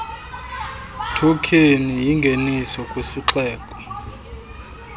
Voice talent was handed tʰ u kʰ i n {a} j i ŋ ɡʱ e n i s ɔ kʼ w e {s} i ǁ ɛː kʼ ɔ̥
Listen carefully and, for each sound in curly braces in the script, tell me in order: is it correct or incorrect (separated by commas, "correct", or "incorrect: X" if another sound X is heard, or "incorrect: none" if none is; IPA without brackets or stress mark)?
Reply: incorrect: i, correct